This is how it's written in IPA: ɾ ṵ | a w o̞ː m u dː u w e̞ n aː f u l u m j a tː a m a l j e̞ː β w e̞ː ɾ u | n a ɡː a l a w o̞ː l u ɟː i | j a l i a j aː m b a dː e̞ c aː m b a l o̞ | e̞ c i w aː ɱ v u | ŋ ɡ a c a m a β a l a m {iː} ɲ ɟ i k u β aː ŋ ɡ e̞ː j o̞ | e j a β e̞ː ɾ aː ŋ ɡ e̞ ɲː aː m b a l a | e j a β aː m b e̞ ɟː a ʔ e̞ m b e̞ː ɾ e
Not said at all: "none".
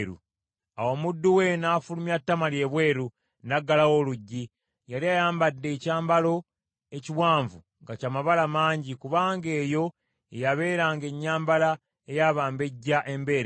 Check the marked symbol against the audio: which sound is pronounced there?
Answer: aː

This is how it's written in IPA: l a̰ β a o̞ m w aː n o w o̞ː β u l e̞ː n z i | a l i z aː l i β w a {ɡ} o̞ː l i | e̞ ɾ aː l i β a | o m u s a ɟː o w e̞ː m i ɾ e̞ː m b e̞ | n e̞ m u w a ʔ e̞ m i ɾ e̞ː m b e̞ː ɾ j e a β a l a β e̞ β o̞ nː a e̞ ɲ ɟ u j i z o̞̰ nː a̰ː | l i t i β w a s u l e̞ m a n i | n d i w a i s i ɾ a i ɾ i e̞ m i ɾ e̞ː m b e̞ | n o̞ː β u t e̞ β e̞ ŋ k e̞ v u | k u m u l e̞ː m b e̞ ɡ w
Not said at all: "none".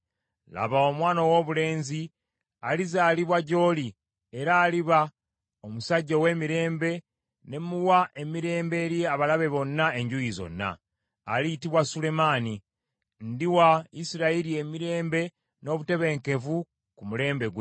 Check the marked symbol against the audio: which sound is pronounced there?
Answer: ɟ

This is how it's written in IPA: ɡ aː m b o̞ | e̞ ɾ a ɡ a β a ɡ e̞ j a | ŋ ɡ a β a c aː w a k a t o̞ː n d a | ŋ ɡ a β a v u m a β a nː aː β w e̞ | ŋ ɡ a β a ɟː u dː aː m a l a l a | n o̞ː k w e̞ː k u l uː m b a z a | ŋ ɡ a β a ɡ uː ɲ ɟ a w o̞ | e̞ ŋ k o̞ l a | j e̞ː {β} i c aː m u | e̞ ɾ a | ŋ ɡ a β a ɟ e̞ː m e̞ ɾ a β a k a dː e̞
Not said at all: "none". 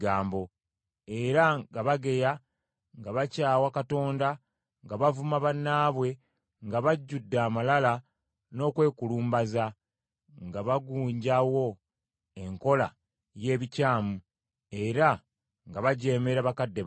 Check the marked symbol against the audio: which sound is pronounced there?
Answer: β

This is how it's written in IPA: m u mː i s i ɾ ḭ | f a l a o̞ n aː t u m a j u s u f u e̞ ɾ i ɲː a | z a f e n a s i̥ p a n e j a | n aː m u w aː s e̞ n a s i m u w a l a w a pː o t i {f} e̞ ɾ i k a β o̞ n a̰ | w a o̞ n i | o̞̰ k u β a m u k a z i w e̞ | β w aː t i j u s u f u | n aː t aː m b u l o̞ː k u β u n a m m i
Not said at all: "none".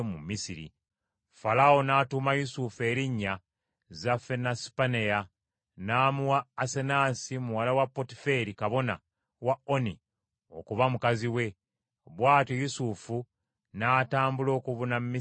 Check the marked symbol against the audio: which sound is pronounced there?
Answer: f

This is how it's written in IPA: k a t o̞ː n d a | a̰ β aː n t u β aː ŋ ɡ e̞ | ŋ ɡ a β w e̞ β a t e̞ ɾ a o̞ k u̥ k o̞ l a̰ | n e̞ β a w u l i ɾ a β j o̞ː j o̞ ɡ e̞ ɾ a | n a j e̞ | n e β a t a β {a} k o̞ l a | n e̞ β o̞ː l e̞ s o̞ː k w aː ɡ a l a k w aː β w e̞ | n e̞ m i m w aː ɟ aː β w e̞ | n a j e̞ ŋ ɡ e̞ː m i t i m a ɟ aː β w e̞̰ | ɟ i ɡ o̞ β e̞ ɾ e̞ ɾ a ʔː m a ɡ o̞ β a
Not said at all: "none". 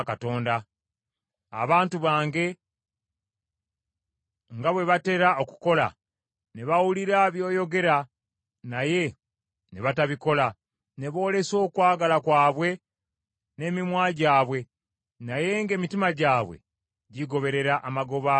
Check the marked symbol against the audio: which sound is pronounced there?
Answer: i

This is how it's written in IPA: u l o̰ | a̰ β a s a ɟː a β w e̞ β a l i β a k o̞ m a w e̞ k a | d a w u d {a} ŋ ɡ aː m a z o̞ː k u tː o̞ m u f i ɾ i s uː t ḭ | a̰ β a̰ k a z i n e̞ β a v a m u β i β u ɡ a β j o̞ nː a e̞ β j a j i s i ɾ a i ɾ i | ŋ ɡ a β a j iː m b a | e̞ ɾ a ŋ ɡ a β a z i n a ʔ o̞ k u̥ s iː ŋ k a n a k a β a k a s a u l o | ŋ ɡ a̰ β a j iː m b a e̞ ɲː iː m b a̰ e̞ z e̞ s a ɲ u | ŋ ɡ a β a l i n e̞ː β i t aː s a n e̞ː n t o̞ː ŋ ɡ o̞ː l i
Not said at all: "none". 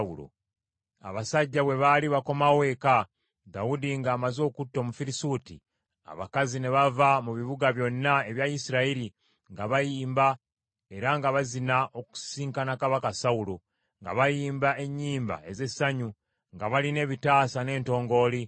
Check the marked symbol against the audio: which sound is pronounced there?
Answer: i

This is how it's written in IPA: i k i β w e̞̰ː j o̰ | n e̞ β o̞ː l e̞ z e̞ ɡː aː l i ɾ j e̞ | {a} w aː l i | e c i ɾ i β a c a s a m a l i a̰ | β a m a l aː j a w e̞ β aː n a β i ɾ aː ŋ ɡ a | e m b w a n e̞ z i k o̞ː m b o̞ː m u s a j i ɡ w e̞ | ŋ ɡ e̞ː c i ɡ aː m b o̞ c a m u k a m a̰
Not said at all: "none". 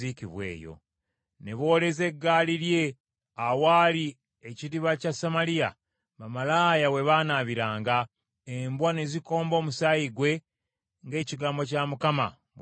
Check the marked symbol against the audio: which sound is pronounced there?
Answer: a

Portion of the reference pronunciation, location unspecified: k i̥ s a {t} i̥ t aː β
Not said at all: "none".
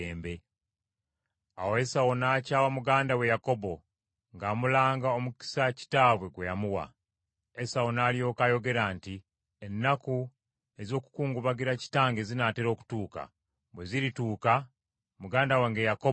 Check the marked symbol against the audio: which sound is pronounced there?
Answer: c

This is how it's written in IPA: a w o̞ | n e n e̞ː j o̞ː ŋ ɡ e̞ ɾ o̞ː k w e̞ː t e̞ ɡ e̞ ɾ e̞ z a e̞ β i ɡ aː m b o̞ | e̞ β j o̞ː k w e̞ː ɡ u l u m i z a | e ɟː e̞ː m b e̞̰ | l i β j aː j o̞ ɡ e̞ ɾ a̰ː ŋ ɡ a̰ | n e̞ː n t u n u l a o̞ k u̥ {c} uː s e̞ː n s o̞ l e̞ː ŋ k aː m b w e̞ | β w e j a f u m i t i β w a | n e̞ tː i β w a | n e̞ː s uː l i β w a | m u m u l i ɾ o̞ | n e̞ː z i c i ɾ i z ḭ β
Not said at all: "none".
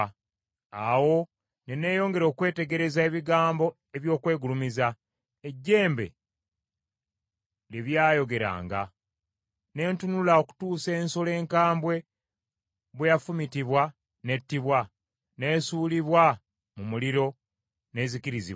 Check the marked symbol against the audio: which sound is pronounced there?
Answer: t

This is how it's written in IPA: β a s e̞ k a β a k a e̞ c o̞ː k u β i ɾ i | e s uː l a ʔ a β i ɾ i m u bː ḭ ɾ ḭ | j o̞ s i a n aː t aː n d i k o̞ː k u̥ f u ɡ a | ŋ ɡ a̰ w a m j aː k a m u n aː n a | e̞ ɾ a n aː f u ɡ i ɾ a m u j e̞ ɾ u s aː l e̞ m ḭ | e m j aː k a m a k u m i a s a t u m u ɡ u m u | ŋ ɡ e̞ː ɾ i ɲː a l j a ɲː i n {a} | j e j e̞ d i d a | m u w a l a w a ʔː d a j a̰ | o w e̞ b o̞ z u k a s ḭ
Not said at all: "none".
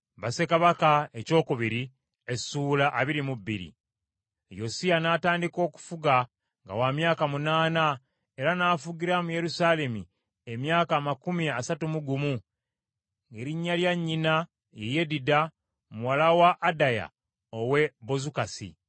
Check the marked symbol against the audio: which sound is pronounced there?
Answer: a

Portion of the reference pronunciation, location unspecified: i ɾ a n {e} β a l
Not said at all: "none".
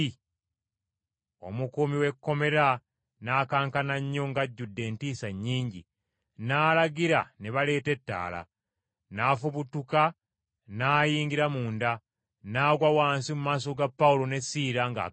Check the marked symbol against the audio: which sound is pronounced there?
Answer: e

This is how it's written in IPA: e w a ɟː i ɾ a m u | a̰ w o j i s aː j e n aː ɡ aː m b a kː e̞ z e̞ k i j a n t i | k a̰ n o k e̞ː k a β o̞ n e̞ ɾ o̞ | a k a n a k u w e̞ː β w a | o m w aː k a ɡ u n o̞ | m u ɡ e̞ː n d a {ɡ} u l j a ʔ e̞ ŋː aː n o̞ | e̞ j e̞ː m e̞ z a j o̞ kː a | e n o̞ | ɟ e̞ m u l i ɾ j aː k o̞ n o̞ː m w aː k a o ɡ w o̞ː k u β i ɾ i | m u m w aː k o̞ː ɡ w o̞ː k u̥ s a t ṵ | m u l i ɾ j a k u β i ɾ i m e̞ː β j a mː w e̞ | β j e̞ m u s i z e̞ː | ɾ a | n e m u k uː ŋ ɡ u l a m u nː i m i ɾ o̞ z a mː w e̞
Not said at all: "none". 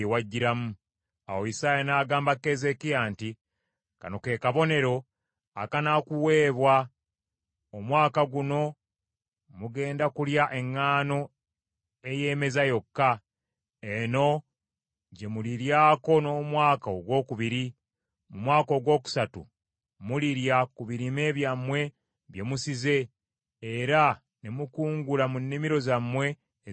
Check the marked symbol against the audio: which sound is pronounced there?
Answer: k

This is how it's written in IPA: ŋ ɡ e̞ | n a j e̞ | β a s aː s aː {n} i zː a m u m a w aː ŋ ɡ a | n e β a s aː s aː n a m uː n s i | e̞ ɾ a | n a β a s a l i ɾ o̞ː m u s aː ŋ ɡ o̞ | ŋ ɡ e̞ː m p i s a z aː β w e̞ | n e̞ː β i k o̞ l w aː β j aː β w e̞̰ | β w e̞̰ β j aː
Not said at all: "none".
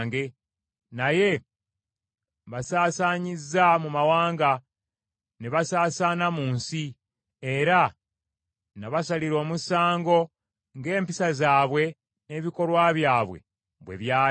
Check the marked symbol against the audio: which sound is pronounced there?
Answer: ɲ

